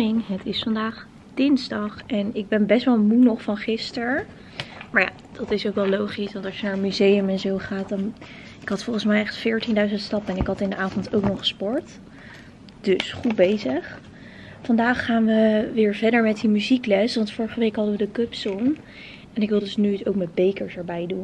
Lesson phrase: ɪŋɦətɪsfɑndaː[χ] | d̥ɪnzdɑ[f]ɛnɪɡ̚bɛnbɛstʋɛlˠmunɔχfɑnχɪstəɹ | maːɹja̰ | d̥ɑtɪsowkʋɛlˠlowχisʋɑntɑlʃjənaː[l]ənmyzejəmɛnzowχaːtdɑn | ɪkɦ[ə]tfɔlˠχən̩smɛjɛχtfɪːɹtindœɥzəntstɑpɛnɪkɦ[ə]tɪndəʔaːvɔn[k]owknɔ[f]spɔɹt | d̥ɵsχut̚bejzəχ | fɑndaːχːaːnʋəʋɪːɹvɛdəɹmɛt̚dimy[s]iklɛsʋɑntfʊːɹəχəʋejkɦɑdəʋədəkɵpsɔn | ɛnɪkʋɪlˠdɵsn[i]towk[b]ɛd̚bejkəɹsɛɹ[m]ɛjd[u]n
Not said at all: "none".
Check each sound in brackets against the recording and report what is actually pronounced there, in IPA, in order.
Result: χ, χ, ɹ, ɑ, ɑ, t, χ, z, y, m, b, u

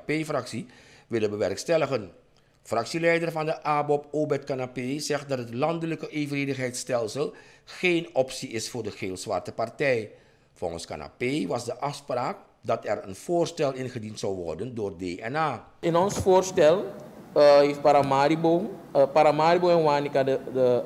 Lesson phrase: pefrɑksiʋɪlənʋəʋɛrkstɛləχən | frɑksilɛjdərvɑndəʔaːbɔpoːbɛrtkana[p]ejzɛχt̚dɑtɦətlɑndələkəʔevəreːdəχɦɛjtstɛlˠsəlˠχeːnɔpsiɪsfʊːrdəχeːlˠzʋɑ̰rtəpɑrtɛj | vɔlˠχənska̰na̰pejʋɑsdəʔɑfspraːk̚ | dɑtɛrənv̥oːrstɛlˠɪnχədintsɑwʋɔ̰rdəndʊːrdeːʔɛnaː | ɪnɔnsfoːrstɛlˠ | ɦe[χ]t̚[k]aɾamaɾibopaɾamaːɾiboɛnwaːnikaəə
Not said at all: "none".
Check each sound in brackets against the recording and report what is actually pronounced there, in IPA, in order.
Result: p, f, p

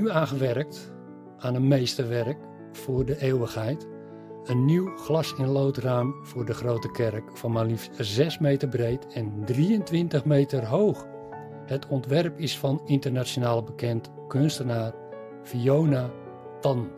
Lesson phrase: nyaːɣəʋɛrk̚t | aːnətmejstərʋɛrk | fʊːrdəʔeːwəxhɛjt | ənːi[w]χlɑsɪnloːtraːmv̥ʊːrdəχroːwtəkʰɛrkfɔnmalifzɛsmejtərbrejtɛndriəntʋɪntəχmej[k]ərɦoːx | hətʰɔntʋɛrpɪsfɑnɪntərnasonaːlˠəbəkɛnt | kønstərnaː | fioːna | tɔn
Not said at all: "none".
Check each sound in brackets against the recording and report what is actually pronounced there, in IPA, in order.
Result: w, t

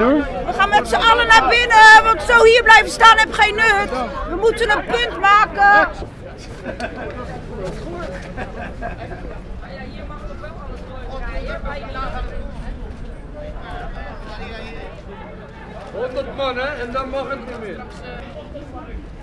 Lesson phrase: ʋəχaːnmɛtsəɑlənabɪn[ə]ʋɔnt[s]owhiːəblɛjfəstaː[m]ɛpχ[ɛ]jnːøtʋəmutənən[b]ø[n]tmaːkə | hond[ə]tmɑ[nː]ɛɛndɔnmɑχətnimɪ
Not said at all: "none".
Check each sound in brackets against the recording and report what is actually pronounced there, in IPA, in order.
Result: ə, s, n, e, p, n, ə, n

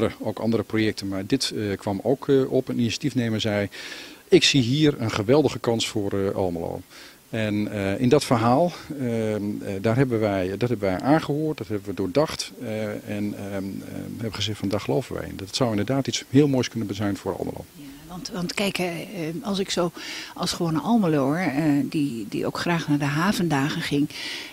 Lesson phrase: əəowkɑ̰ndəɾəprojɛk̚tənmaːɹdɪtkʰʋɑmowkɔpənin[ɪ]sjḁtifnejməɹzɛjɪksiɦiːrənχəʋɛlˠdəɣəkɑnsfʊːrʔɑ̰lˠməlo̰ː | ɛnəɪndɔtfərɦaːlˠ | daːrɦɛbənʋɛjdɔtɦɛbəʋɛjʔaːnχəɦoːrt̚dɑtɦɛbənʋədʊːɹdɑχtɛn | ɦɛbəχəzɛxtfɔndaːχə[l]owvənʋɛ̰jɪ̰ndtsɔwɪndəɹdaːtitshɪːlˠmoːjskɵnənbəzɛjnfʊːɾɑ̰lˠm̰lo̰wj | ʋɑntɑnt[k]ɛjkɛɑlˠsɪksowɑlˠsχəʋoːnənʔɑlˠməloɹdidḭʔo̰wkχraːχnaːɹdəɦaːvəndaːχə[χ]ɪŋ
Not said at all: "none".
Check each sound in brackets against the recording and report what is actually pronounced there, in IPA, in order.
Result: i, l, k, χ

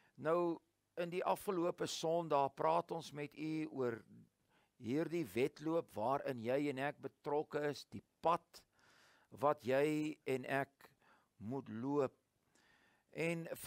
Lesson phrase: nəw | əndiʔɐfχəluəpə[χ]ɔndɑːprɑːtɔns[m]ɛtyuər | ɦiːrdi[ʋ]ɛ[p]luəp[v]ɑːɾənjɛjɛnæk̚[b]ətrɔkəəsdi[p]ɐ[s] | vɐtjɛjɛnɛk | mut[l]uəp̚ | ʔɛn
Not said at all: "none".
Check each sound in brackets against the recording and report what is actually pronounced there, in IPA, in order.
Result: s, m, v, t, v, b, p, t, l

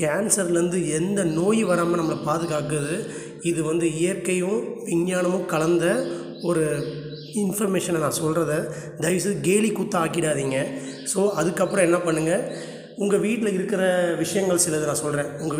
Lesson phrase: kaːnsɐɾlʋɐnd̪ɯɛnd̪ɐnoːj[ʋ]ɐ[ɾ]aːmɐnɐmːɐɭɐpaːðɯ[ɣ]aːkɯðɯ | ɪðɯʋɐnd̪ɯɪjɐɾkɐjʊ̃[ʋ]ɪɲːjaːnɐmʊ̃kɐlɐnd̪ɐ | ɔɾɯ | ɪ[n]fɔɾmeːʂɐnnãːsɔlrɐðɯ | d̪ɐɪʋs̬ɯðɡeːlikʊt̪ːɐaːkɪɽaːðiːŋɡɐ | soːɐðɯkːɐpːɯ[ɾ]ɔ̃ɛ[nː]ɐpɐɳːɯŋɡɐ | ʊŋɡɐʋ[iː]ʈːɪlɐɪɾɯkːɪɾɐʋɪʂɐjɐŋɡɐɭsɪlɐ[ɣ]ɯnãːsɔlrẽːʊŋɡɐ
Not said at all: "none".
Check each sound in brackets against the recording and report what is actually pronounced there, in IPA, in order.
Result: ʋ, ɾ, ɣ, ʋ, n, ɾ, nː, iː, ð

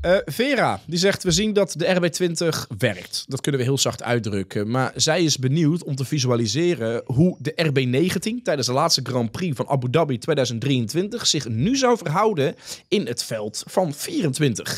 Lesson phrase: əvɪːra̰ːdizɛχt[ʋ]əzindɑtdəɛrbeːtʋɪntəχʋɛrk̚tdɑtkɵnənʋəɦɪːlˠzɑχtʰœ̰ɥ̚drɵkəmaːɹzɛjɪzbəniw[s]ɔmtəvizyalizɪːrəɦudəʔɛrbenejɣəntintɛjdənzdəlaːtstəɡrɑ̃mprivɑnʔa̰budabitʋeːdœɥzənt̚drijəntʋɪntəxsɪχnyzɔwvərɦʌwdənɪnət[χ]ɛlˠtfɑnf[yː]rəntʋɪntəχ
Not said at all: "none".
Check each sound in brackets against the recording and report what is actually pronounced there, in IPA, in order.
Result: ʋ, t, f, iː

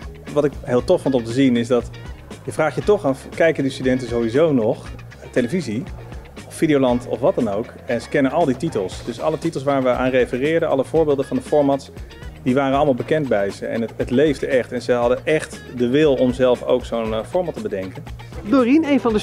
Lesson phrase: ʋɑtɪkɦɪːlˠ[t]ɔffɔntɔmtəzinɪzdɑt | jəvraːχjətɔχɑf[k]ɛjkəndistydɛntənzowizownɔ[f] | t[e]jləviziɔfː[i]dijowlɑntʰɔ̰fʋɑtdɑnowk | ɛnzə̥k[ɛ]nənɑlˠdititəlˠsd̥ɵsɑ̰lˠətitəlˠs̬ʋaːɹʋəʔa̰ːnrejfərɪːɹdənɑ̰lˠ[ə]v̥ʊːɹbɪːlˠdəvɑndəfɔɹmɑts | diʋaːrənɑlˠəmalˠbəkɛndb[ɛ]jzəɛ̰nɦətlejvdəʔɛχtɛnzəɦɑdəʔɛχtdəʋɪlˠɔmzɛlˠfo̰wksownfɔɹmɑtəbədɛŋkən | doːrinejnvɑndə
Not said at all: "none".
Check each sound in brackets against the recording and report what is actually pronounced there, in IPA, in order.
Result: t, k, χ, e, i, ɛ, ə, ɛ

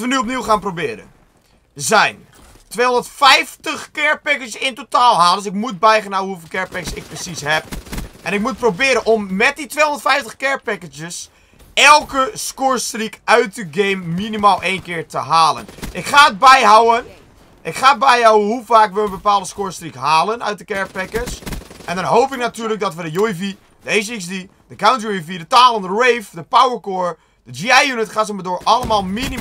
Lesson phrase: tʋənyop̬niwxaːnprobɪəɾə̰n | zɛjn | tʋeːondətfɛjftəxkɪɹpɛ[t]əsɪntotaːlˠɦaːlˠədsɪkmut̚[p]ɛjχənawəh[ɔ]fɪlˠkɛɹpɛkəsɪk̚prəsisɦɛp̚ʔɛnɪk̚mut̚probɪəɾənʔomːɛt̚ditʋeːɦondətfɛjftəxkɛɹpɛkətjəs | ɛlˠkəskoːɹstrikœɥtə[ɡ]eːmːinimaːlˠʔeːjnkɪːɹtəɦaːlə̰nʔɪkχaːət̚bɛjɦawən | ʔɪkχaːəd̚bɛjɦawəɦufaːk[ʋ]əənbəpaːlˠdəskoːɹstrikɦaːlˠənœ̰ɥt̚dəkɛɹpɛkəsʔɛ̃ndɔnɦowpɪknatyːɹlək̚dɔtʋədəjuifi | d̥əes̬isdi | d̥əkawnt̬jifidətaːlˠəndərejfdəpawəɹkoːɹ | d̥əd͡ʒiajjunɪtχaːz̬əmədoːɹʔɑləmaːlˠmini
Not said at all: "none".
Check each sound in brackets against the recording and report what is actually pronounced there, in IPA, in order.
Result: k, b, u, ɡ, ʋ

